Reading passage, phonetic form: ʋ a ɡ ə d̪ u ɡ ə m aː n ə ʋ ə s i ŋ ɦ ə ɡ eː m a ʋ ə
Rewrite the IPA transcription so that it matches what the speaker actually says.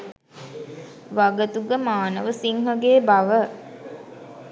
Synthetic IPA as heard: ʋ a ɡ ə t̪ u ɡ ə m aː n ə ʋ ə s i ŋ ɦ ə ɡ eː b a ʋ ə